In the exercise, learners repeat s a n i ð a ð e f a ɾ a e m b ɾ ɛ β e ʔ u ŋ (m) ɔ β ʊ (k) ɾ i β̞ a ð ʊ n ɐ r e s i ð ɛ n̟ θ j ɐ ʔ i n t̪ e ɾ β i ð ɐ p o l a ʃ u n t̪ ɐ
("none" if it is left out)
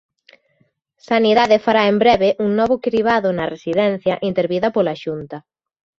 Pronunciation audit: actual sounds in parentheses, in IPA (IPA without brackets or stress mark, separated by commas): n, k